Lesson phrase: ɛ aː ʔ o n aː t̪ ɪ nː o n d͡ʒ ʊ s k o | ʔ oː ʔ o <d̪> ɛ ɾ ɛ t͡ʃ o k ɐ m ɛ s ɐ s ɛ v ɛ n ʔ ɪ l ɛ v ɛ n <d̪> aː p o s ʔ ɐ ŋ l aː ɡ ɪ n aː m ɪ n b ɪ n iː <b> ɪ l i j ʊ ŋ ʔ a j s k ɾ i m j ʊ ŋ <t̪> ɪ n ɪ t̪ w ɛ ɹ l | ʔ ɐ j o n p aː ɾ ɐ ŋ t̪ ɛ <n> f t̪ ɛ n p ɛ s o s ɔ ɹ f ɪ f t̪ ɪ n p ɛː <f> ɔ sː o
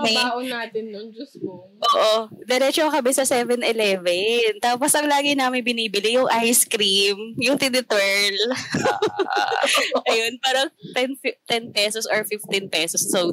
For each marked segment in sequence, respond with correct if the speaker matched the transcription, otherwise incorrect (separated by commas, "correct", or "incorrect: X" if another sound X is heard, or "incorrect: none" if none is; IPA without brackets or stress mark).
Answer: correct, incorrect: t̪, correct, correct, correct, incorrect: s